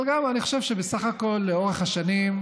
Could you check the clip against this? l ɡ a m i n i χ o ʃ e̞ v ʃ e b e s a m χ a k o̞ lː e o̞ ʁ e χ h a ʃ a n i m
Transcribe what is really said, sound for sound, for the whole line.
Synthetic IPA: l ɡ a m a n i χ o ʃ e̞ v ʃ e b e s a χ a k o̞ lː e o̞ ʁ e χ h a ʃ a n i m